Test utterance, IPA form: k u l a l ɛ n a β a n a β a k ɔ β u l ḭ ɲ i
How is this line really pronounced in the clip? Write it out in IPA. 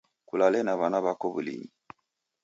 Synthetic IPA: k u l a l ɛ n a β a n a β a k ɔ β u l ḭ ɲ i

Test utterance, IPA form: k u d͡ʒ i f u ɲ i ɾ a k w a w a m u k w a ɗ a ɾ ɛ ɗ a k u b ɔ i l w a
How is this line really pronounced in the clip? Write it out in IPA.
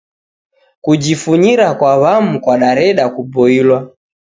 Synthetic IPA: k u d͡ʒ i f u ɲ i ɾ a k w a β a m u k w a ɗ a ɾ ɛ ɗ a k u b ɔ i l w a

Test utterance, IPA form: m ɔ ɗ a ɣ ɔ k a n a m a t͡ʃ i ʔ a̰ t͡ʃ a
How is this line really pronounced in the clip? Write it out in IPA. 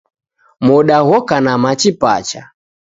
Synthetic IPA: m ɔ ɗ a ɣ ɔ k a n a m a t͡ʃ i p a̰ t͡ʃ a

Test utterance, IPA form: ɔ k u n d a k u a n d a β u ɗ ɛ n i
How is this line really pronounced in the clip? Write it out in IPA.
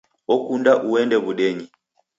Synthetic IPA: ɔ k u n d a ʔ u ɛ n d ɛ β u ɗ ɛ ɲ i

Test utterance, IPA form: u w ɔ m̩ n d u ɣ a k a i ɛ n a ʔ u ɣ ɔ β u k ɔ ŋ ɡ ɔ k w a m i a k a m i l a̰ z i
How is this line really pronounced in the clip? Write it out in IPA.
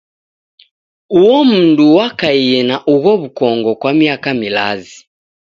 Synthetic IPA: u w ɔ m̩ n d u w a k a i ɛ n a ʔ u ɣ ɔ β u k ɔ ŋ ɡ ɔ k w a m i a k a m i l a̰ z i

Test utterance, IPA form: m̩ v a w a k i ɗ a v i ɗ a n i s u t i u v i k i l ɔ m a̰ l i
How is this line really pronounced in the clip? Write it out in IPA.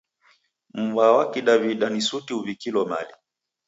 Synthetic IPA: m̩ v a w a k i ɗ a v i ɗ a n i s u t i u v i k i l ɔ m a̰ l i

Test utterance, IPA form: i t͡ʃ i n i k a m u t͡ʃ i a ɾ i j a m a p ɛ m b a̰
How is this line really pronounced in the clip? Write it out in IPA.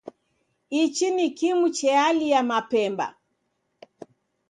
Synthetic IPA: i t͡ʃ i n i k i m u t͡ʃ ɛ a l i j a m a p ɛ m b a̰

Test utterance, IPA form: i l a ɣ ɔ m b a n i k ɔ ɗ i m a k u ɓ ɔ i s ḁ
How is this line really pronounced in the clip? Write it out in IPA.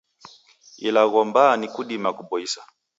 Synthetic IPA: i l a ɣ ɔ m b a n i k u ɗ i m a k u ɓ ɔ i s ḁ

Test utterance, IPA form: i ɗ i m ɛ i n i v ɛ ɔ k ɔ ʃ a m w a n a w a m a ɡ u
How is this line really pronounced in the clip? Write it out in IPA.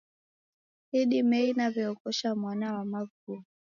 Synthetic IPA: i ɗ i m ɛ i n a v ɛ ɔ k ɔ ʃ a m w a n a w a m a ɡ u

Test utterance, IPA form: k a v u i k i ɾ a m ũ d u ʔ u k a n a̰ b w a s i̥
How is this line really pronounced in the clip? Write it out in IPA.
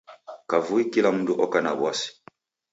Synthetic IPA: k a v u i k i l a m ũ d u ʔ ɔ k a n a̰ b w a s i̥

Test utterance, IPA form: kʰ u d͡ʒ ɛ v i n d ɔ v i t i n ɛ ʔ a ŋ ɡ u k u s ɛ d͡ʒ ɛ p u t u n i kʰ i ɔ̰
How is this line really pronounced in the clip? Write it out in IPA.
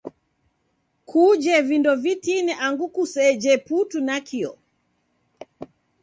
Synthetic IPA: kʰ u d͡ʒ ɛ v i n d ɔ v i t i n ɛ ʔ a ŋ ɡ u k u s ɛ d͡ʒ ɛ p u t u n a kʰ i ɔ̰

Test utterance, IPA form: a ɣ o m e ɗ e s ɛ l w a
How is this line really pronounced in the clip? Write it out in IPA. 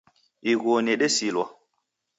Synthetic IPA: i ɣ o n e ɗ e s i l w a

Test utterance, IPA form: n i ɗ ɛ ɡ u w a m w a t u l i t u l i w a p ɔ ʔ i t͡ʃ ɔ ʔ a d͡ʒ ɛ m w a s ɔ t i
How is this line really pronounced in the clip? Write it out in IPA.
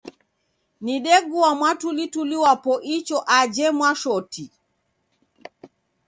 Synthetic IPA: n i ɗ ɛ ɡ u w a m w a t u l i t u l i w a p ɔ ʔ i t͡ʃ ɔ ʔ a d͡ʒ ɛ m w a ʃ ɔ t i

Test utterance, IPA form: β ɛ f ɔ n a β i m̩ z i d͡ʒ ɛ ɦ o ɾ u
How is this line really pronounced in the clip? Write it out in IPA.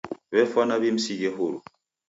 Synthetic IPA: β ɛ f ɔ n a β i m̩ s i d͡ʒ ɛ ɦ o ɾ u

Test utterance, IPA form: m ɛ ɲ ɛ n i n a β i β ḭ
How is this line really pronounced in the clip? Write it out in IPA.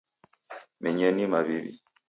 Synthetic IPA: m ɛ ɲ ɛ n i m a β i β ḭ

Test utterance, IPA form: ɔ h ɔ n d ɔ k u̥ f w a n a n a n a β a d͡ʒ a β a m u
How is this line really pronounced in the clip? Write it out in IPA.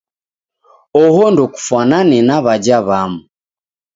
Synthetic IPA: ɔ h ɔ n d ɔ k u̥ f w a n a n ɛ n a β a d͡ʒ a β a m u

